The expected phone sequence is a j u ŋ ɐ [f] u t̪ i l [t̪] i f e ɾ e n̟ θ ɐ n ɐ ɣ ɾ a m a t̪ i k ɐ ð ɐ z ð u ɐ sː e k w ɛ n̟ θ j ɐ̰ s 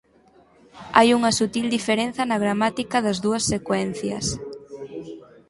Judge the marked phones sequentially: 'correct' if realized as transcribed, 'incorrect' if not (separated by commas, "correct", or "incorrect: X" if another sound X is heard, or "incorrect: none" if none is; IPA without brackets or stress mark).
incorrect: s, incorrect: d̪